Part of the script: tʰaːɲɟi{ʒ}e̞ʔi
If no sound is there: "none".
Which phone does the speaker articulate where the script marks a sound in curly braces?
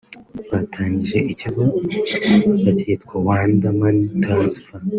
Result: ʒ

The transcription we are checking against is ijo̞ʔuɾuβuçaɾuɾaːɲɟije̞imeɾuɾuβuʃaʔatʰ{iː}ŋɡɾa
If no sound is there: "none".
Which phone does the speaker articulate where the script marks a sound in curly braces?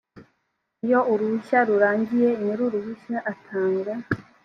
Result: aː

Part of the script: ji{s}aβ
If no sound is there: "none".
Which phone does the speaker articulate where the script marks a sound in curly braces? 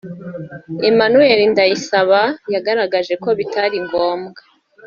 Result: s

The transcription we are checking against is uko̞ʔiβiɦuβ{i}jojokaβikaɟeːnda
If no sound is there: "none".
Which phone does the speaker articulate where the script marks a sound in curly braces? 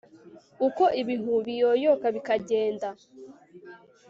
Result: i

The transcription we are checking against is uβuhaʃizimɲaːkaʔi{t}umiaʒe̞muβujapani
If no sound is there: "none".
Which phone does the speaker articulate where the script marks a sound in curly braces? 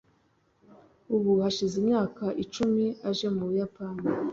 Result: t͡ʃ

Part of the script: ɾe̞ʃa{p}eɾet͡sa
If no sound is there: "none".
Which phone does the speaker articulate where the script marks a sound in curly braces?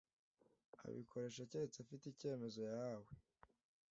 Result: c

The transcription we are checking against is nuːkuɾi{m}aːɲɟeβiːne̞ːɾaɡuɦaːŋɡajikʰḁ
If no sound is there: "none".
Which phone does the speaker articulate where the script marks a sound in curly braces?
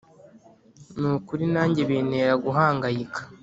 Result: n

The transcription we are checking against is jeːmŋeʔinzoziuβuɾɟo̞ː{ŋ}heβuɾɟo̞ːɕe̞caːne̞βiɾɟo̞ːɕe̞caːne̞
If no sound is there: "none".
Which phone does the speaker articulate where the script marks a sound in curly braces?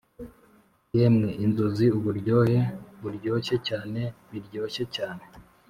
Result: none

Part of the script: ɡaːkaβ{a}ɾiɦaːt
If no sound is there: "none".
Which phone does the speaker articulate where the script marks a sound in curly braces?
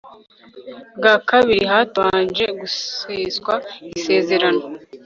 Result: i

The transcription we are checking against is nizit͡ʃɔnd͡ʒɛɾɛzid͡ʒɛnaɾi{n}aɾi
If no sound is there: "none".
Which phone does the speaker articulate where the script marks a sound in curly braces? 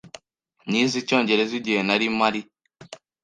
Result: m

